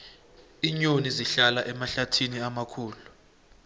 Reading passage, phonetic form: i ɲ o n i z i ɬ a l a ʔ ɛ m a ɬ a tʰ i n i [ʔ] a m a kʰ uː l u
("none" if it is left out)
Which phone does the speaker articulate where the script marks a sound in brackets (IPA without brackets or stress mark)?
none